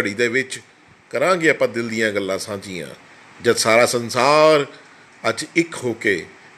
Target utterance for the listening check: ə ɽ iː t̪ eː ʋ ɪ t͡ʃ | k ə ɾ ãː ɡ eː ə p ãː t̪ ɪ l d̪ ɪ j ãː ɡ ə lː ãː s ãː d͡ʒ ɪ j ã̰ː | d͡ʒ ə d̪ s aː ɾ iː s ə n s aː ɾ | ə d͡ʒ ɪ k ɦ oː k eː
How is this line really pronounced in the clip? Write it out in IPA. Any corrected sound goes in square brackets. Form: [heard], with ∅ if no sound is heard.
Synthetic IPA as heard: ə ɽ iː [d̪] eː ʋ ɪ t͡ʃ | k ə ɾ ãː ɡ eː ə p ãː [d̪] ɪ l d̪ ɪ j ãː ɡ ə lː ãː s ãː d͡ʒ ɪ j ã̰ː | d͡ʒ ə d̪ s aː ɾ [aː] s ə n s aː ɾ | ə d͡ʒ ɪ k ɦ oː k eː